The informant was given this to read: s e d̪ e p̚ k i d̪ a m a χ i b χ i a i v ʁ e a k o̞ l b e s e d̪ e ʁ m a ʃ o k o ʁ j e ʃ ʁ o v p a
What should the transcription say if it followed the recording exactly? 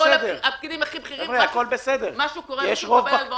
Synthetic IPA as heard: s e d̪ e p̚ k i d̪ i m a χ i b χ i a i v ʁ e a k o̞ l b e s e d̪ e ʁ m a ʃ u k o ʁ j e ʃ ʁ o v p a